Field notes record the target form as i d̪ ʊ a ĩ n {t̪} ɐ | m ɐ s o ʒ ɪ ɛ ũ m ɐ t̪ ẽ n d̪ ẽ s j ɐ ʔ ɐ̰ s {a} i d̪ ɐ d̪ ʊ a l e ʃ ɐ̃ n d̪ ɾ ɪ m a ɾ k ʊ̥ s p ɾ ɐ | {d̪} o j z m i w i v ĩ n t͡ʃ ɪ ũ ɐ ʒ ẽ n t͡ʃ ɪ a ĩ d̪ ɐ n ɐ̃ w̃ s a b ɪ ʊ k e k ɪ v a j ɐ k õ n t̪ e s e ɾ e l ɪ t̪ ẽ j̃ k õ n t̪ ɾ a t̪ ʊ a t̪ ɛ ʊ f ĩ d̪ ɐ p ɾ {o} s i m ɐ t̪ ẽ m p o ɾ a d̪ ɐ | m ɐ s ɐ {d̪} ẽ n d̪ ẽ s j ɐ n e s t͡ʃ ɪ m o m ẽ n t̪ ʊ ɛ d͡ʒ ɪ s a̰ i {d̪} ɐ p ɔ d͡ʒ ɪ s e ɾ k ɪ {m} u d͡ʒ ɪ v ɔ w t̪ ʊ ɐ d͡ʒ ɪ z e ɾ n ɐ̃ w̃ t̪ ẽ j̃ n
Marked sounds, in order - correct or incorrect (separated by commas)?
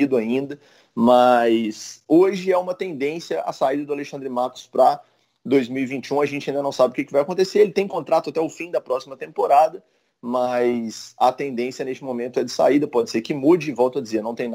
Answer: incorrect, correct, correct, incorrect, incorrect, correct, correct